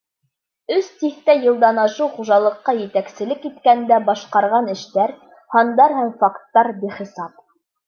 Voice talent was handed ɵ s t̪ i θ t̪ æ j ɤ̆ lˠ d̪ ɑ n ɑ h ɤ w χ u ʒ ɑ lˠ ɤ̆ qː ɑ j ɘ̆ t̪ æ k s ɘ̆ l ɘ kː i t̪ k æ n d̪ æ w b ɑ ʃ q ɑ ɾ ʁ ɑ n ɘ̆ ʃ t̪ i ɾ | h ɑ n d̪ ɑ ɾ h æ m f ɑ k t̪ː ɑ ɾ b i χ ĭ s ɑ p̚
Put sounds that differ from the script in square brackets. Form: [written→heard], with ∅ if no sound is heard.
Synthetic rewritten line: ɵ s t̪ i θ t̪ æ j ɤ̆ lˠ d̪ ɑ n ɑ [h→ʃ] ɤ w χ u ʒ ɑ lˠ ɤ̆ qː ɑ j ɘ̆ t̪ æ k s ɘ̆ l ɘ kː i t̪ k æ n d̪ æ [w→∅] b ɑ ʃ q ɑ ɾ ʁ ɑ n ɘ̆ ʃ t̪ [i→æ] ɾ | h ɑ n d̪ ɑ ɾ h æ m f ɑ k t̪ː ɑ ɾ b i χ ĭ s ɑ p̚